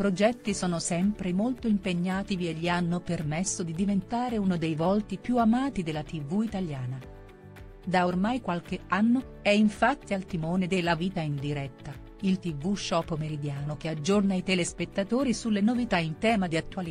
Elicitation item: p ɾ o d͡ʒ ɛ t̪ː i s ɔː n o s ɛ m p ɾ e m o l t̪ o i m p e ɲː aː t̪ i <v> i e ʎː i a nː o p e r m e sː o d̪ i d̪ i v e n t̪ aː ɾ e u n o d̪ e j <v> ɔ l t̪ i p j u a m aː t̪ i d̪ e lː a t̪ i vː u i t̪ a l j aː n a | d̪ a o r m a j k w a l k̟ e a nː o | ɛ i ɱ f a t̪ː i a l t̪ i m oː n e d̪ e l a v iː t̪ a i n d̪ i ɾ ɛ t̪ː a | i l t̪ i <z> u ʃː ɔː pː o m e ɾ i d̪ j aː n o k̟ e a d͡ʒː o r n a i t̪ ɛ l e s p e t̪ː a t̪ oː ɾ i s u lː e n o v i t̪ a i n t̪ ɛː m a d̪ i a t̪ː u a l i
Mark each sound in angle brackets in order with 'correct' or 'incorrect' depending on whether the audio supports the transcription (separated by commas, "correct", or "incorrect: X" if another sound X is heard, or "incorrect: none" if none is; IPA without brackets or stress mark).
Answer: correct, correct, incorrect: v